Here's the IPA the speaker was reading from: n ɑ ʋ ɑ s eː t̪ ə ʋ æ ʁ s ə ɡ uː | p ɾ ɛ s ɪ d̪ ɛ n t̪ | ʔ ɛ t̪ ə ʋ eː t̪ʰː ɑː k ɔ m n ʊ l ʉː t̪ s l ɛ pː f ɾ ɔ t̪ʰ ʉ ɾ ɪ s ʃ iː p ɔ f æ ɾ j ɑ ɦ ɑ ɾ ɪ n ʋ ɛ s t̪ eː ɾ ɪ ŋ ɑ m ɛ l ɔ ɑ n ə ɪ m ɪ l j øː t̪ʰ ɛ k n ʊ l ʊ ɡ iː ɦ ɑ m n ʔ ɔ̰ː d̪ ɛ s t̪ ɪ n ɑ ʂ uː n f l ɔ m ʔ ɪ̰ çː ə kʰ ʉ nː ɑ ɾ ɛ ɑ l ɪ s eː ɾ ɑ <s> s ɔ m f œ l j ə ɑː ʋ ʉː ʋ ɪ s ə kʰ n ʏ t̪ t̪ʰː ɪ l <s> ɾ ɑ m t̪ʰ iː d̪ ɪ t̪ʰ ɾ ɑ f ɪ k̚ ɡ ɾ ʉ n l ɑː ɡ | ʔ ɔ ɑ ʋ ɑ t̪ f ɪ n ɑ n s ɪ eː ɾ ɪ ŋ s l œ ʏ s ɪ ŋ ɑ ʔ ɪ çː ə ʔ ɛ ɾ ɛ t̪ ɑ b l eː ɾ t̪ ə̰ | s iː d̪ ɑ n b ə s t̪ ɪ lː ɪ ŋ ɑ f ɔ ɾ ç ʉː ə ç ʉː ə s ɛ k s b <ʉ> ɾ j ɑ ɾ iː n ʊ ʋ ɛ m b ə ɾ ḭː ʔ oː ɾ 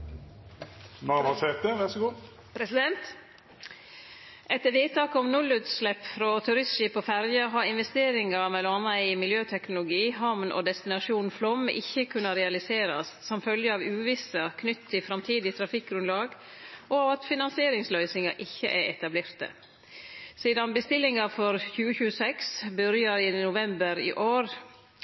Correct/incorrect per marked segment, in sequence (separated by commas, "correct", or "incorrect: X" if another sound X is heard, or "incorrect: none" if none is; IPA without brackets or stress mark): correct, incorrect: f, correct